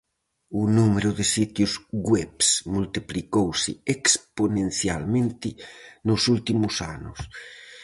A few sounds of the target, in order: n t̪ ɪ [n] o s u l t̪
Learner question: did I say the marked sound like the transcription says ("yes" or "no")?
yes